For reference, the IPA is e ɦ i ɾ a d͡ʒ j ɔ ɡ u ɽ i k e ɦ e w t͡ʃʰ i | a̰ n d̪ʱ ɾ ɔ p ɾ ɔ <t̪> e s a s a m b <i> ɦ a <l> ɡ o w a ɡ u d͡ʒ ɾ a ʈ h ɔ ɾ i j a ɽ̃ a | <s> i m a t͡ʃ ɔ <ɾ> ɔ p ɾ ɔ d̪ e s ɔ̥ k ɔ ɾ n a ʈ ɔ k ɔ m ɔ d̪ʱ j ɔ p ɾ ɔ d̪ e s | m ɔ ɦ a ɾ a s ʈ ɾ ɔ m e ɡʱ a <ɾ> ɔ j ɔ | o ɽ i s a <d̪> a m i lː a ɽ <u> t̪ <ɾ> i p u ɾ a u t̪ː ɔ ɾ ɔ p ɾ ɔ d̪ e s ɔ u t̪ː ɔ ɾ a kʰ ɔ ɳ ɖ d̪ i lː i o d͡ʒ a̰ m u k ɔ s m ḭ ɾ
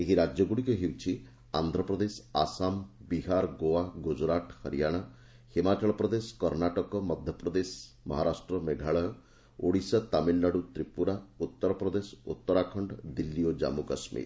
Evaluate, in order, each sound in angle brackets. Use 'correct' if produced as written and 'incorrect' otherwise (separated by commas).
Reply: incorrect, correct, incorrect, incorrect, incorrect, incorrect, incorrect, correct, correct